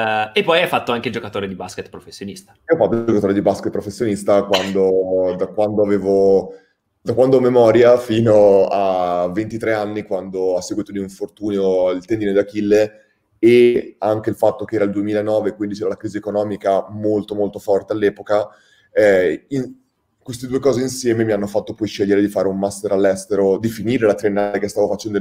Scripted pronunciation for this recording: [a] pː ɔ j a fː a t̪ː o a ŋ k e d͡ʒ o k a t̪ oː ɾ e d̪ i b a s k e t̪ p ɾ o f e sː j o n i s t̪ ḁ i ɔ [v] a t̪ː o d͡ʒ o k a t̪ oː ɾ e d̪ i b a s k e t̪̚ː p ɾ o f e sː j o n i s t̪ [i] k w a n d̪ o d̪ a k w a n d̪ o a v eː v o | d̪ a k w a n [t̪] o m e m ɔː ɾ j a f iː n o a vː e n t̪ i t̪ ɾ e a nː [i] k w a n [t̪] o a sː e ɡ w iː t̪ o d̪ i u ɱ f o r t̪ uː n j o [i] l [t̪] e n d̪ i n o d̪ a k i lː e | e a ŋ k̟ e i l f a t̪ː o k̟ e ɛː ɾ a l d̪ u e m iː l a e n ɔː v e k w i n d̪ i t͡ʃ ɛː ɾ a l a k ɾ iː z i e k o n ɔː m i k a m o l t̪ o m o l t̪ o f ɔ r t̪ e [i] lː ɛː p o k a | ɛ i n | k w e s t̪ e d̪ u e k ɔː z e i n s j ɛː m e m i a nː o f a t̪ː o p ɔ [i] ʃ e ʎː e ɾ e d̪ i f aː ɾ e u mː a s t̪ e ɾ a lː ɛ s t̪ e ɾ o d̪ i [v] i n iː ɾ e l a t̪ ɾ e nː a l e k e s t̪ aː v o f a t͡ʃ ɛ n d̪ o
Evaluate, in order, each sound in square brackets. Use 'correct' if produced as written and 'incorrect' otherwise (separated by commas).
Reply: incorrect, incorrect, incorrect, incorrect, correct, incorrect, correct, correct, incorrect, incorrect, incorrect